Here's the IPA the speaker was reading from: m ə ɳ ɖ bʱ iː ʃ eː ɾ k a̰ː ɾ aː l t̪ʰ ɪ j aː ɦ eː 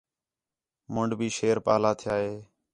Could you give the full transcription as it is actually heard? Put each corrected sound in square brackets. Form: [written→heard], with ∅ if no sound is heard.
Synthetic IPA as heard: m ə ɳ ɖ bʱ iː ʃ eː ɾ [k→p] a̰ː [ɾ→l] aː [l→∅] t̪ʰ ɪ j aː ɦ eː

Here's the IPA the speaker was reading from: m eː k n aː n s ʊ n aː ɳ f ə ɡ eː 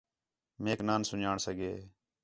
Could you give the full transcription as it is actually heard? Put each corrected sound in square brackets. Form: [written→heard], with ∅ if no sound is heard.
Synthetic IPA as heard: m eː k n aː n s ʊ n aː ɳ [f→s] ə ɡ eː

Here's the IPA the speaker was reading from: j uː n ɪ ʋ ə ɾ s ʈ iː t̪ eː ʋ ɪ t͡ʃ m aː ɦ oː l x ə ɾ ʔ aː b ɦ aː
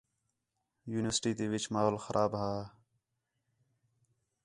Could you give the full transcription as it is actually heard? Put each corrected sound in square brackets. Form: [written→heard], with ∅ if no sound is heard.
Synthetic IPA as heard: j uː n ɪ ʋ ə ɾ s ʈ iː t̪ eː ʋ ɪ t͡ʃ m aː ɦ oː l x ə ɾ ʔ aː b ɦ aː

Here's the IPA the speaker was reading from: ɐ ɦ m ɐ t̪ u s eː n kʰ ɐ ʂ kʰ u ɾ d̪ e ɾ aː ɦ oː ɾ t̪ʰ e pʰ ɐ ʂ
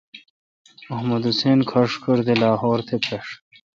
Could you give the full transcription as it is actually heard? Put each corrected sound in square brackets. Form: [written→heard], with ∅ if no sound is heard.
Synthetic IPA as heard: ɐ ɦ m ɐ [t̪→d̪] u s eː n kʰ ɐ ʂ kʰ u ɾ d̪ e [ɾ→l] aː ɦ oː ɾ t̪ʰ e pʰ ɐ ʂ

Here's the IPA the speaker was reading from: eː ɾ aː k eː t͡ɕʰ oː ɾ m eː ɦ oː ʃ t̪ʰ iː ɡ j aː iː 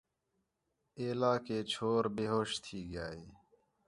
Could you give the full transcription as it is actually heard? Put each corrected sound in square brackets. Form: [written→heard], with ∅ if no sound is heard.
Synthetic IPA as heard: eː [ɾ→l] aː k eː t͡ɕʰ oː ɾ [m→b] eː ɦ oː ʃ t̪ʰ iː ɡ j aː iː

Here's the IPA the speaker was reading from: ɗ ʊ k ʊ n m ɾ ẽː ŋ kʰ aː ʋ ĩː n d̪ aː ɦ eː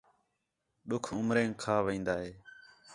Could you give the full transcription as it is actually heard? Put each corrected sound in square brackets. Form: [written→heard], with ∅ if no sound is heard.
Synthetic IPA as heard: ɗ ʊ [k→kʰ] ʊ [n→∅] m ɾ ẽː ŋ kʰ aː ʋ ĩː n d̪ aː ɦ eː

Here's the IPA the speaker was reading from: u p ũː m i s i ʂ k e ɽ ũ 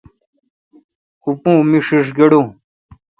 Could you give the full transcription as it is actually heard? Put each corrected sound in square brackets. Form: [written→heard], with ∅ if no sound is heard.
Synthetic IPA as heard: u p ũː m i [s→ʂ] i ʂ [k→ɡ] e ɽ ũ

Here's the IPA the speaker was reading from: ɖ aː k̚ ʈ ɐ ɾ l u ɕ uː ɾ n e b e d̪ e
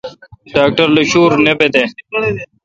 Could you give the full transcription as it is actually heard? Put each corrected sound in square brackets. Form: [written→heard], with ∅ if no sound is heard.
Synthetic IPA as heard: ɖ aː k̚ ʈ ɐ ɾ l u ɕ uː ɾ n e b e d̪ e

